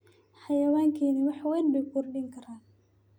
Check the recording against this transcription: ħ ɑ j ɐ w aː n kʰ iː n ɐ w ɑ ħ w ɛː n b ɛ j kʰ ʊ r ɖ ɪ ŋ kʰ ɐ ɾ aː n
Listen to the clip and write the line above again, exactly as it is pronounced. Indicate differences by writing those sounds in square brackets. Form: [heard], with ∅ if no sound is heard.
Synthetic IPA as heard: ħ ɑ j ɐ w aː [ŋ] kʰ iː n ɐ w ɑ ħ w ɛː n b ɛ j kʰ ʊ r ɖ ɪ ŋ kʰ ɐ ɾ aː n